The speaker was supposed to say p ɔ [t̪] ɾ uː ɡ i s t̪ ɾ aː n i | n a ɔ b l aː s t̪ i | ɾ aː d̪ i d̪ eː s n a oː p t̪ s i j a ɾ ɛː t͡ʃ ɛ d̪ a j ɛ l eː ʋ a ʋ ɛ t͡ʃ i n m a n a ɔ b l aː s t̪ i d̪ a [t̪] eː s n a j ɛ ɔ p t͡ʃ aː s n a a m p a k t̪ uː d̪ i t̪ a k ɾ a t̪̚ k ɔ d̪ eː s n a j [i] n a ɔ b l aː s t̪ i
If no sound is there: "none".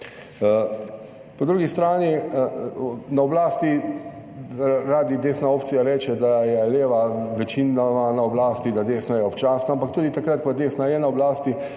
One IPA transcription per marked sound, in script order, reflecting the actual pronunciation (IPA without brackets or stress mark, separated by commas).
d̪, d̪, ɛ